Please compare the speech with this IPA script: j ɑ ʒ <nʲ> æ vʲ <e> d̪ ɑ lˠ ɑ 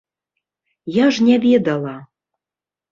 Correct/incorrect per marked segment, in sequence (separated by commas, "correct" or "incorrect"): correct, correct